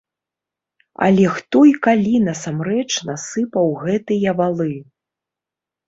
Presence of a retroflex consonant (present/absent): present